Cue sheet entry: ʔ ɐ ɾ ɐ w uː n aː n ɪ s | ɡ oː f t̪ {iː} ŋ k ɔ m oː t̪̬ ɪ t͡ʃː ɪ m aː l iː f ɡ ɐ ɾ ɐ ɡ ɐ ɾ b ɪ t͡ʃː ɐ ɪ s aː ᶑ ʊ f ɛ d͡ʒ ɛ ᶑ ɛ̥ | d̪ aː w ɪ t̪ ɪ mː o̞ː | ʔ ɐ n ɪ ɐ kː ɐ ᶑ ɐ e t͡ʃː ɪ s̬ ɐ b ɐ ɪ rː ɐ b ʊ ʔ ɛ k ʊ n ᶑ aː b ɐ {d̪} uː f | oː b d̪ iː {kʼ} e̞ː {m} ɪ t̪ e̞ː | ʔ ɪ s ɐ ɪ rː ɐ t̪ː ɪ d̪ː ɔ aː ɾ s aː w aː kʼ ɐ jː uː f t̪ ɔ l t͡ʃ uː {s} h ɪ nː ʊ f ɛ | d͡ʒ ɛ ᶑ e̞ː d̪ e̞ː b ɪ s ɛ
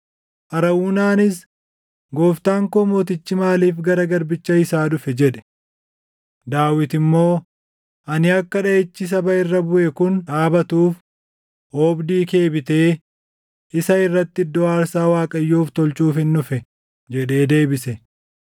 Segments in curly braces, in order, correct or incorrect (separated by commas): incorrect, incorrect, incorrect, incorrect, incorrect